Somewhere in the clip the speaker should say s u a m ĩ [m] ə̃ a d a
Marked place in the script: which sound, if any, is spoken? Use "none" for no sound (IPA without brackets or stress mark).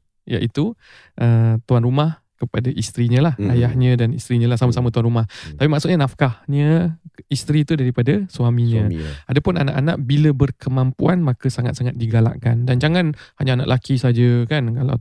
ɲ